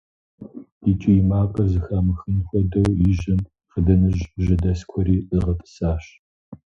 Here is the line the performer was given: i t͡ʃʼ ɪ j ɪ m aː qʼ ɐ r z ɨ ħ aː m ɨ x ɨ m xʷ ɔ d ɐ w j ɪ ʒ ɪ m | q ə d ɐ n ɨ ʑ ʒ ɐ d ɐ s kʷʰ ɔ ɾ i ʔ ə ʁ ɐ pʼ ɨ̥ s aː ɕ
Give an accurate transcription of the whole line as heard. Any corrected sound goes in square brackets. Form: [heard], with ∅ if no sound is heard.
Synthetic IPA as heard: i t͡ʃʼ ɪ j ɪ m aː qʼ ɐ r z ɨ [x] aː m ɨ x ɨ [n] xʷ ɔ d ɐ w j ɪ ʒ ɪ m | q ə d ɐ n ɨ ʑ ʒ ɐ d ɐ s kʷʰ ɔ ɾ [iː] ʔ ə ʁ ɐ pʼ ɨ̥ s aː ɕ